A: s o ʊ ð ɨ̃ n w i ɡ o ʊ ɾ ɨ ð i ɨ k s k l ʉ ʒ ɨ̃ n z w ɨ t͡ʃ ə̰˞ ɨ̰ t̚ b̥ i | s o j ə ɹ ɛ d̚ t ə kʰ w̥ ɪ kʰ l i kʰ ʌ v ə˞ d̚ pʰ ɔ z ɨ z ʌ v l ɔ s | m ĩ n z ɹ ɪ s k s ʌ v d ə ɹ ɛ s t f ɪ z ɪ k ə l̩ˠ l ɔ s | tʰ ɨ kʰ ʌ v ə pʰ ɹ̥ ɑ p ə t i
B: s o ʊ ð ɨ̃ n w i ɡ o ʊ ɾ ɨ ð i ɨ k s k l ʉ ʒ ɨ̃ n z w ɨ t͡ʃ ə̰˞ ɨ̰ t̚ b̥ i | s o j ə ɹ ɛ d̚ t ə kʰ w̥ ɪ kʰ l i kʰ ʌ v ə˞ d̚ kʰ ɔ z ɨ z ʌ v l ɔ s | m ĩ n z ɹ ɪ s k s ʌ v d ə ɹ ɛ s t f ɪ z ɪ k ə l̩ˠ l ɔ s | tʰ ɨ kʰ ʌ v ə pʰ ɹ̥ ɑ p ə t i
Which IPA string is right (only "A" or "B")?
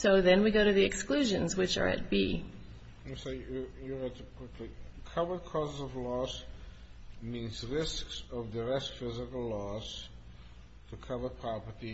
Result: B